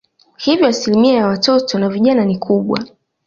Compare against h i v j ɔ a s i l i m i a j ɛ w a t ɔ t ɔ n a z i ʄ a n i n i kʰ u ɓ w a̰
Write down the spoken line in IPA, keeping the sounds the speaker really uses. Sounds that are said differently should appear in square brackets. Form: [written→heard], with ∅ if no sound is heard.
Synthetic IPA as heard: h i v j ɔ a s i l i m i a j [ɛ→a] w a t ɔ t ɔ n a [z→v] i ʄ a n [i→a] n i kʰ u ɓ w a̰